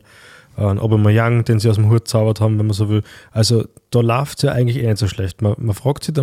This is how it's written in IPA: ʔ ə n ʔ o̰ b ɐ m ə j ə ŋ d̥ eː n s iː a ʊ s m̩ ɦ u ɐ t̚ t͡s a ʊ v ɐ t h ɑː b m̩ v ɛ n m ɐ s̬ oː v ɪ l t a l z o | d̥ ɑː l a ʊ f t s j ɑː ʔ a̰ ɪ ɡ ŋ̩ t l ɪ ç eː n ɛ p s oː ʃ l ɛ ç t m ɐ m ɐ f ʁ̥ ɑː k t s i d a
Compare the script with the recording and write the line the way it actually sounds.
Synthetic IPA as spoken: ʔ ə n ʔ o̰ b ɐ m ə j a ŋ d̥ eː n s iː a ʊ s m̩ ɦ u ɐ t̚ t͡s a ʊ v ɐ t h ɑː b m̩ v ɛ n m ɐ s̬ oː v ɪ l ʔ a l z o | d̥ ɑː l a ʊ f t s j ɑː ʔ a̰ ɪ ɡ ŋ̩ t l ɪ ç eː n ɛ t s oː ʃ l ɛ ç t m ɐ m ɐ f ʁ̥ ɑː k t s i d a